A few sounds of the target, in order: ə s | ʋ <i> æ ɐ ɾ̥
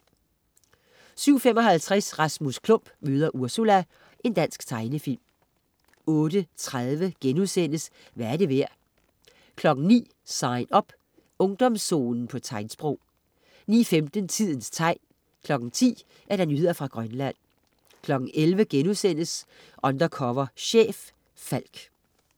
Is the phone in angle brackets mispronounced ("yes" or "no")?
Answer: yes